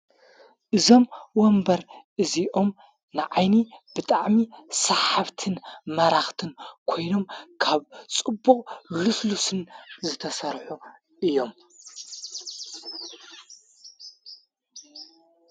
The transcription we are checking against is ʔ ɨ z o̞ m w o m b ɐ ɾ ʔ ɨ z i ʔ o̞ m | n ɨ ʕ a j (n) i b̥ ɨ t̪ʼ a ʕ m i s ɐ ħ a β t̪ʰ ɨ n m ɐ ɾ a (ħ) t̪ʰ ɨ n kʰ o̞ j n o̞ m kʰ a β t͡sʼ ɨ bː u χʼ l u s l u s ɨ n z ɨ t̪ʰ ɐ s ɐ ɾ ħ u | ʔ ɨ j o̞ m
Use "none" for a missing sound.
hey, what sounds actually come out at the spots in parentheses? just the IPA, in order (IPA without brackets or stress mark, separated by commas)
n, x